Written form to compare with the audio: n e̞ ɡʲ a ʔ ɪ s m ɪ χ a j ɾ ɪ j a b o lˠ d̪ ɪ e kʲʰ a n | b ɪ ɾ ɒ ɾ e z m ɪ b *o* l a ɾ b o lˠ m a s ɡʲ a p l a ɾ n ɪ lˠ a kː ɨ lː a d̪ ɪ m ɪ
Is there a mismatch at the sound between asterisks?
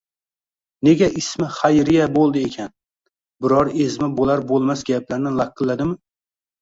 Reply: no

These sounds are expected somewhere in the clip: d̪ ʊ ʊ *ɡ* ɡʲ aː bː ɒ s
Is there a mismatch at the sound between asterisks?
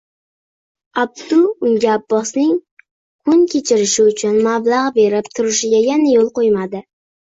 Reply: yes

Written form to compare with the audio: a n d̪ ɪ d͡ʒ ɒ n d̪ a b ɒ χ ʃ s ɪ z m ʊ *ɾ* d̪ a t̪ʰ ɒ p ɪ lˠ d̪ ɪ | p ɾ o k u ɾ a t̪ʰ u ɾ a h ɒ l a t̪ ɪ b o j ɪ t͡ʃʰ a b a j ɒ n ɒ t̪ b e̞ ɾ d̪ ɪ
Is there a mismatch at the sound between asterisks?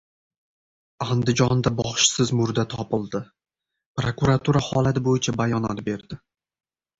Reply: no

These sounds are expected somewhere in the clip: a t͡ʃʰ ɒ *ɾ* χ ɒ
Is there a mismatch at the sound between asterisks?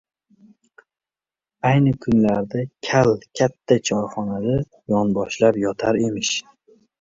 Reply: no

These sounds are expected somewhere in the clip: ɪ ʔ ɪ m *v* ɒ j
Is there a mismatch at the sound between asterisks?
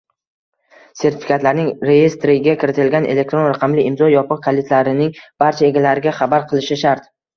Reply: yes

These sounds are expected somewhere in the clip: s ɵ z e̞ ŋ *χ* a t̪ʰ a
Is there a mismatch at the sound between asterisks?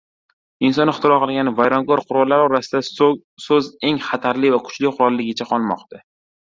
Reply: no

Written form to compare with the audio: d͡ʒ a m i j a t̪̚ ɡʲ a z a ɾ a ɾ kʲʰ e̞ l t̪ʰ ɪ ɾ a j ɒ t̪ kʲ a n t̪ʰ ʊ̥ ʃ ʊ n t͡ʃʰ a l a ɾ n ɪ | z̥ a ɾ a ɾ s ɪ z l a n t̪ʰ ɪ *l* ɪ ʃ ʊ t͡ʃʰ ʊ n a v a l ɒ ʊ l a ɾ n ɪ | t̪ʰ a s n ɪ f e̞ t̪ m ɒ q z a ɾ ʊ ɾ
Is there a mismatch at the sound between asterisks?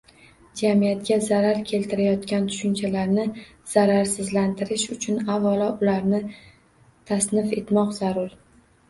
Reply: yes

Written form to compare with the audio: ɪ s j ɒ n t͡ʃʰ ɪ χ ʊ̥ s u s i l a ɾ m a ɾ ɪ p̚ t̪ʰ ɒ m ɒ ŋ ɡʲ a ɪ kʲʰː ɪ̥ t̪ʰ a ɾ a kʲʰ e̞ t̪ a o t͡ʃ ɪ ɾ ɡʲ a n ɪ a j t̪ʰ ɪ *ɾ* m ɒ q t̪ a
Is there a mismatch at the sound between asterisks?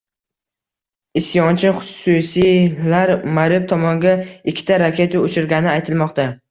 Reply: yes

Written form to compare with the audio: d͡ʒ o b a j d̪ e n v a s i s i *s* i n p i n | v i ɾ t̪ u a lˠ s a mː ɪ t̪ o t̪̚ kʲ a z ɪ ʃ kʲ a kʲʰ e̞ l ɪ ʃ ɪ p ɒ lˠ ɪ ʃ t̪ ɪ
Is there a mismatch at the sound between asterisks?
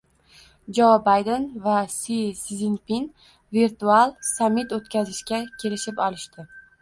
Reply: yes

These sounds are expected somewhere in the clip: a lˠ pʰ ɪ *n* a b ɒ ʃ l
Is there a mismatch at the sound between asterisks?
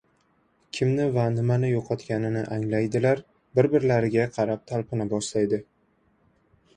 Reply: no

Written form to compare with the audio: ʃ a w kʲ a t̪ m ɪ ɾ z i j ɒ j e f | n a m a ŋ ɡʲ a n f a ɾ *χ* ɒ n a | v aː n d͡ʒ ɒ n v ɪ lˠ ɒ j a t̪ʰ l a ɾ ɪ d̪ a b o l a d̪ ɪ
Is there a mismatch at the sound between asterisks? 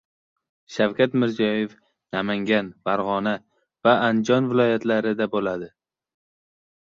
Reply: yes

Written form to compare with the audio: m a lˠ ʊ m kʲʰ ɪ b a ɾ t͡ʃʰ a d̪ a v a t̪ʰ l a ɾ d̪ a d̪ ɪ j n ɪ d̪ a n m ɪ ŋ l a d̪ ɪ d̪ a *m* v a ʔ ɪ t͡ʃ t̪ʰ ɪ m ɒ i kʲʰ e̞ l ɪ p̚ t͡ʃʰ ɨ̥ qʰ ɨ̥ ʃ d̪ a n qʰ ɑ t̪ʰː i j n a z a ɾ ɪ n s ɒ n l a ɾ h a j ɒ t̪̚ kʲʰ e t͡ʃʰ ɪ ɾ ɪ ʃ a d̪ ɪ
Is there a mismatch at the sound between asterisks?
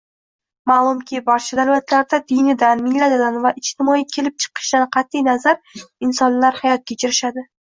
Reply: yes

